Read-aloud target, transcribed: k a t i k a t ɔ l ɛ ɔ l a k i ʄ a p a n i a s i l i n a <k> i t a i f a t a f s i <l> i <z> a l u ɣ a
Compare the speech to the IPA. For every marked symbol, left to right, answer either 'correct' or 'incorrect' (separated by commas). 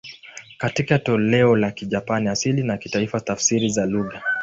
correct, incorrect, correct